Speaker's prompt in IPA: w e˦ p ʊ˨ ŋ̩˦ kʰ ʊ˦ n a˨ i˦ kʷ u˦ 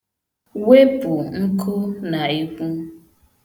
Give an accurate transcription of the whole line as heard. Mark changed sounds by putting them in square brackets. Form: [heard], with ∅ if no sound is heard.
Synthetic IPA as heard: w e˦ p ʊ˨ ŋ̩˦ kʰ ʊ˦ n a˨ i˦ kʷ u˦